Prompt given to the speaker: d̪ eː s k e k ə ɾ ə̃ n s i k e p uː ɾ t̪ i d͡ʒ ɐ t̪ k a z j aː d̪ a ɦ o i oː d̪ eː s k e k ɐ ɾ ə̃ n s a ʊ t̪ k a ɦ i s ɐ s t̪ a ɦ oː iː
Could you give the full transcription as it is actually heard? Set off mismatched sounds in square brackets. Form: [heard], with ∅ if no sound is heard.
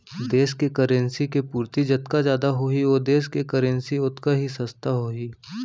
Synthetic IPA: d̪ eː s k e k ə ɾ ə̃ n s i k e p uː ɾ t̪ i d͡ʒ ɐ t̪ k a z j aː d̪ a ɦ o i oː d̪ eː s k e k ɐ ɾ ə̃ n s [i] ʊ t̪ k a ɦ i s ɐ s t̪ a ɦ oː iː